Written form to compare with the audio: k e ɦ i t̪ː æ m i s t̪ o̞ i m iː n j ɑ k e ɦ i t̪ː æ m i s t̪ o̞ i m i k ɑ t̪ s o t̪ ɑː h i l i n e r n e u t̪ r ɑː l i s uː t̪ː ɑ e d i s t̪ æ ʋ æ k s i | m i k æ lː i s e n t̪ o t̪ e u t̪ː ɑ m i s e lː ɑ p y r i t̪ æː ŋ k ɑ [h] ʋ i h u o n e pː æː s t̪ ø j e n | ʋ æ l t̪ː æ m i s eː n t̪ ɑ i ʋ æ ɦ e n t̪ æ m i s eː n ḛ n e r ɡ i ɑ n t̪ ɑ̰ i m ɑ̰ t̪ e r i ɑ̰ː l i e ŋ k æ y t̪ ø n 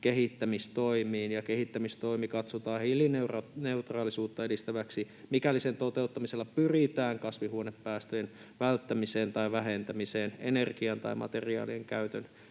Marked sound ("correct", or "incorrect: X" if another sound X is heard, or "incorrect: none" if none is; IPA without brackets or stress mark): incorrect: s